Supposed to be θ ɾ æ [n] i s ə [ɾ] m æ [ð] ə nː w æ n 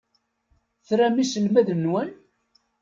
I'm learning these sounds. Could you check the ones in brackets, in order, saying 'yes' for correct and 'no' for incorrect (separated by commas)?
no, no, yes